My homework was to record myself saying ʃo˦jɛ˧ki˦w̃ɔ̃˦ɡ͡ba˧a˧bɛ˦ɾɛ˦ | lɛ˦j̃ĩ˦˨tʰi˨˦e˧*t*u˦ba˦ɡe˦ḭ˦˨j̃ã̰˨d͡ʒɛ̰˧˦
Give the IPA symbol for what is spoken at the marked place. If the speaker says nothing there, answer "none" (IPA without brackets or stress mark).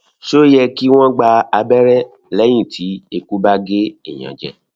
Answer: k